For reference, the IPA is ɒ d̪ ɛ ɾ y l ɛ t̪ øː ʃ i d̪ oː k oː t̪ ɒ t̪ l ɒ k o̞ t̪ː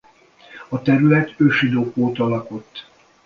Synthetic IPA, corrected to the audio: ɒ t̪ ɛ ɾ y l ɛ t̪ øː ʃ i d̪ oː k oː t̪ ɒ l ɒ k o̞ t̪ː